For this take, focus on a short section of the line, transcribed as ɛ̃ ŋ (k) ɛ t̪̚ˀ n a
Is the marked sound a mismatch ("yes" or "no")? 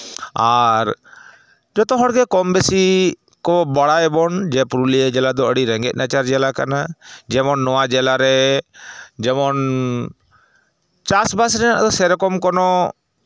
yes